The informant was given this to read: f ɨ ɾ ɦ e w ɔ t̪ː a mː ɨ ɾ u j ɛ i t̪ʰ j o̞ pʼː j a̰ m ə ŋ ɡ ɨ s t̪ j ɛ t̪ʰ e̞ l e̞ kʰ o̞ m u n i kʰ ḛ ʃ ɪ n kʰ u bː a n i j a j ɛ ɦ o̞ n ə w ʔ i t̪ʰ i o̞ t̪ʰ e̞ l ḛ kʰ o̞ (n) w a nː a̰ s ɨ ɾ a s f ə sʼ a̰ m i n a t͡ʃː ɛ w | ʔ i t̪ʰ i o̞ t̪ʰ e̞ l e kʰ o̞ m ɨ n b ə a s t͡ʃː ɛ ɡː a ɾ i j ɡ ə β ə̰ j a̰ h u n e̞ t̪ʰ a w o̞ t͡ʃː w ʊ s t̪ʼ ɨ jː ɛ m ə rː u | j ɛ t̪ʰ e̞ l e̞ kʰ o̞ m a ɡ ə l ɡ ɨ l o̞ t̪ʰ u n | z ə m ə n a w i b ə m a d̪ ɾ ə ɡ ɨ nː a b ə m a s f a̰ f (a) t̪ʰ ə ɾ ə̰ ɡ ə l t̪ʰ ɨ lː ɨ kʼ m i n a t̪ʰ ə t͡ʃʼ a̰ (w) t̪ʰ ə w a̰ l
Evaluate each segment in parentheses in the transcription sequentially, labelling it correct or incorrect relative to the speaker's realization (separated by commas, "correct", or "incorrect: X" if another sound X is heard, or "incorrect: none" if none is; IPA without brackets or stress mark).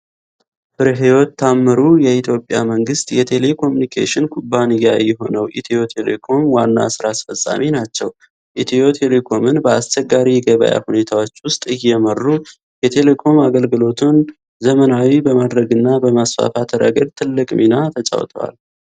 incorrect: m, correct, correct